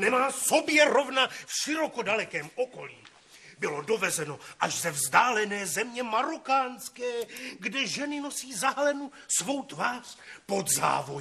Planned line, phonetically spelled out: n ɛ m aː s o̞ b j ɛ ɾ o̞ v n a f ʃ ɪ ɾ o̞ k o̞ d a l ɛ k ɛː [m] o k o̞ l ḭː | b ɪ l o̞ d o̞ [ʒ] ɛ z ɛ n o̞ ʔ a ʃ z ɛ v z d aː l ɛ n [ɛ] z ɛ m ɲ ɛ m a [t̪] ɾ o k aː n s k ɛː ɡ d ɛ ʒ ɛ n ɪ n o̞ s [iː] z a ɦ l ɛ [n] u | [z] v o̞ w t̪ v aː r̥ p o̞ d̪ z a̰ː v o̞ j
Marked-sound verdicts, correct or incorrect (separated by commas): correct, incorrect, incorrect, incorrect, correct, correct, incorrect